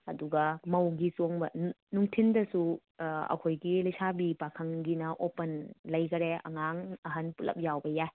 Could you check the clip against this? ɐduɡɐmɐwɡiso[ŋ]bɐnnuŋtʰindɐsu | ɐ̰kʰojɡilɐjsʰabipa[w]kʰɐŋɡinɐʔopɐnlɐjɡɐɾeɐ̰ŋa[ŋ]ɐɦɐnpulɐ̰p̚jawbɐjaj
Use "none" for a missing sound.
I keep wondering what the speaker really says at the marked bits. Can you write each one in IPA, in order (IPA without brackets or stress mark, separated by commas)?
ŋ, none, ŋ